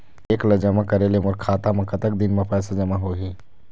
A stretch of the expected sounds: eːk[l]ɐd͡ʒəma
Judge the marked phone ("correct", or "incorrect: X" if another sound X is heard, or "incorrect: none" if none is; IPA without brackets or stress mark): correct